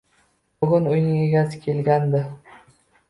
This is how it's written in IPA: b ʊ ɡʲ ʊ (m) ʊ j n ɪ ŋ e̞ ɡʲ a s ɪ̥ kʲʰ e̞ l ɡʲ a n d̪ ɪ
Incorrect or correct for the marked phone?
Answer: incorrect: n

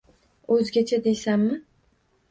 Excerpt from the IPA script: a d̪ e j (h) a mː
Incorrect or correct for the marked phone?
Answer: incorrect: s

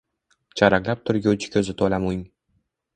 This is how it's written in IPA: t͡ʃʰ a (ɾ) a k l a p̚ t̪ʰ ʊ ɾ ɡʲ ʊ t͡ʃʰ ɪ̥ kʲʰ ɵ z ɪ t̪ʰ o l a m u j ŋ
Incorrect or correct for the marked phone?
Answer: correct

